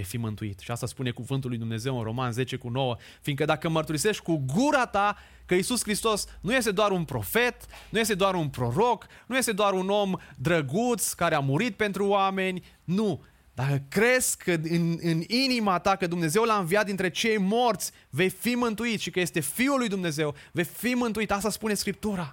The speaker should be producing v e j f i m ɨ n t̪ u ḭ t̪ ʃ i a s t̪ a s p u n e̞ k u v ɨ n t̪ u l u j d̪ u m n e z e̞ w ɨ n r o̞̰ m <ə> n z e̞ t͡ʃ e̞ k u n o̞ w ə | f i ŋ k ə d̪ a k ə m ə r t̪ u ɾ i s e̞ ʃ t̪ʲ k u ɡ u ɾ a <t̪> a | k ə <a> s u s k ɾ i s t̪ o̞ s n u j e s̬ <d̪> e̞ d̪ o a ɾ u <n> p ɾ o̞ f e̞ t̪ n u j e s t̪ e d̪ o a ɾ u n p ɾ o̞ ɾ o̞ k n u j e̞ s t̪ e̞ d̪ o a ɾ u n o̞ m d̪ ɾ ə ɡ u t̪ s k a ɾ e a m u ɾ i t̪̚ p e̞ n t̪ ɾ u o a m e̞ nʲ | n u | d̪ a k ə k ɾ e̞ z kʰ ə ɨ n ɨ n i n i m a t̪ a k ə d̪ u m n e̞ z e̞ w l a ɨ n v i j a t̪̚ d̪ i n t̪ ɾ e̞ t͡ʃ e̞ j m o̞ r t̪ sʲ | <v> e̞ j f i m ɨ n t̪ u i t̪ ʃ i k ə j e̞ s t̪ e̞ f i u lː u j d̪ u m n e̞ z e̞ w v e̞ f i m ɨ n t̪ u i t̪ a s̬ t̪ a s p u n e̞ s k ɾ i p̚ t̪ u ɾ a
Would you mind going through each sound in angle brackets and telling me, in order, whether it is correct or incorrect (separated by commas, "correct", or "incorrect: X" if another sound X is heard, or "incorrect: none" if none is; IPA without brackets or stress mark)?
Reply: incorrect: a, correct, incorrect: i, incorrect: t̪, correct, correct